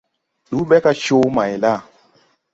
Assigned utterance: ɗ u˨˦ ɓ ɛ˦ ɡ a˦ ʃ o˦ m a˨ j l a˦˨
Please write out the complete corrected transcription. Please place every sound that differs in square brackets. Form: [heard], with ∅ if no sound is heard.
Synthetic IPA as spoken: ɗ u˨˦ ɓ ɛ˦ [k] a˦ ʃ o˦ m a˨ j l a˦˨